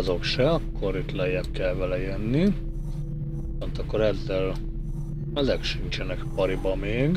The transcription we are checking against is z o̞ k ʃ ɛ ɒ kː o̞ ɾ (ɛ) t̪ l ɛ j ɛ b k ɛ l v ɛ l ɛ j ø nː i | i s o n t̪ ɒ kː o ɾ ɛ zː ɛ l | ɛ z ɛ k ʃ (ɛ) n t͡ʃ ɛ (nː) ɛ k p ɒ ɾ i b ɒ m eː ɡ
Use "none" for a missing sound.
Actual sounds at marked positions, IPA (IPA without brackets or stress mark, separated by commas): i, i, n